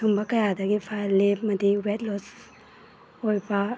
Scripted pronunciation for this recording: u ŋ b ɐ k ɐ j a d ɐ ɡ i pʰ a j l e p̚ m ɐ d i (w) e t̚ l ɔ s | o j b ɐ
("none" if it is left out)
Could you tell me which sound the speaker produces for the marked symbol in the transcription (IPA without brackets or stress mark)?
w